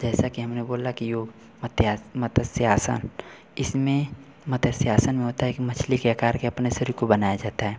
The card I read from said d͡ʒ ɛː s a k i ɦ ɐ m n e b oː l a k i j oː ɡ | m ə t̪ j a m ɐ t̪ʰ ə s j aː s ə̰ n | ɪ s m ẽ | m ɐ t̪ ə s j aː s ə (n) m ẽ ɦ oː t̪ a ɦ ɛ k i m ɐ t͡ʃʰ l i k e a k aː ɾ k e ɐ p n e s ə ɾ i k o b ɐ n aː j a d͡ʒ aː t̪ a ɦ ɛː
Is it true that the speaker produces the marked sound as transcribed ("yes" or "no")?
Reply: yes